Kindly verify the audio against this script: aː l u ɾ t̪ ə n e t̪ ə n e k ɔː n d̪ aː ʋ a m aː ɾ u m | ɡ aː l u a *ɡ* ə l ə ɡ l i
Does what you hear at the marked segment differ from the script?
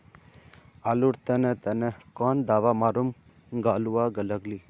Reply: no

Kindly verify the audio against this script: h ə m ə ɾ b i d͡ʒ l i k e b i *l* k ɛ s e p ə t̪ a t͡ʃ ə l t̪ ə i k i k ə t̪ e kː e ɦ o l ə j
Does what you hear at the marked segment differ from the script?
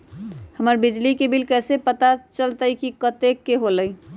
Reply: no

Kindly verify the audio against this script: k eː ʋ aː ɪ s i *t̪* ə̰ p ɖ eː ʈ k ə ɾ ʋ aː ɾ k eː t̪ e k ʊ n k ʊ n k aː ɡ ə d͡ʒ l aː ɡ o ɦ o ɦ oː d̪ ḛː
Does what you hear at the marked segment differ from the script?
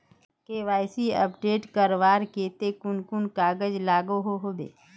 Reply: yes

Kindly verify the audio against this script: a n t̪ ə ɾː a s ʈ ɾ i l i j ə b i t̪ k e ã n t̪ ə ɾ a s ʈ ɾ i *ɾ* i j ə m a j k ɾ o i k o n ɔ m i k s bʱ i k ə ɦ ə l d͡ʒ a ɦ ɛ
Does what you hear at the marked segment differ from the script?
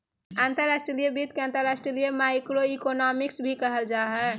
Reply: yes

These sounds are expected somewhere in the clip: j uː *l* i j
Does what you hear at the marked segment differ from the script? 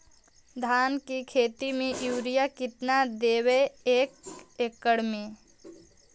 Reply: yes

